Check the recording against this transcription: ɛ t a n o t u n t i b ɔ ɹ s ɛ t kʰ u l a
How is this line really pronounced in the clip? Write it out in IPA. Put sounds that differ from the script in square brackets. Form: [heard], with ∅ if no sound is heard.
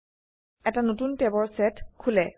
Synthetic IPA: ɛ t a n o t u n t [ɛ] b ɔ ɹ s ɛ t kʰ u l [ɛ]